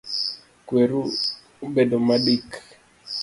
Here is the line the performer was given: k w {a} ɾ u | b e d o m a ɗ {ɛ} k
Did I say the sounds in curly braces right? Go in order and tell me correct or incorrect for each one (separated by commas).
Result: incorrect, incorrect